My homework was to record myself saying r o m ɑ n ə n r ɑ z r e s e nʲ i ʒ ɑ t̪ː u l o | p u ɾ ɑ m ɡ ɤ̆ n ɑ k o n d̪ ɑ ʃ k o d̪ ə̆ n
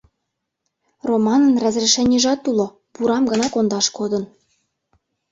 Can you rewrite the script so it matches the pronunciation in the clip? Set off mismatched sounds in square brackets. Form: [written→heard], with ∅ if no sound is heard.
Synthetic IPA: r o m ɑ n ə n r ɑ z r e [s→ʃ] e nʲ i ʒ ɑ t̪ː u l o | p u ɾ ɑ m ɡ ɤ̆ n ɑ k o n d̪ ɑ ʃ k o d̪ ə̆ n